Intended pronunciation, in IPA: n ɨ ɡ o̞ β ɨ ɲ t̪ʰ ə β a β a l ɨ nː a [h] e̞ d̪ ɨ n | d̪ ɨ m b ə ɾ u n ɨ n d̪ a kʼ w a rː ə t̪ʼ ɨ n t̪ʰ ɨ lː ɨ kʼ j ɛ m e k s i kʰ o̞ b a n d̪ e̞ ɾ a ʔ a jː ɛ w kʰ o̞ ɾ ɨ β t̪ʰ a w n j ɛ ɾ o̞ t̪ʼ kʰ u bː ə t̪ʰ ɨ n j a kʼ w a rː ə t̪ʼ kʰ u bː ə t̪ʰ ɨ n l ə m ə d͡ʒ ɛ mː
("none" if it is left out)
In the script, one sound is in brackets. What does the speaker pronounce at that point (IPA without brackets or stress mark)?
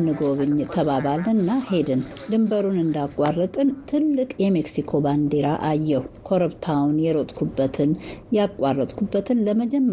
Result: h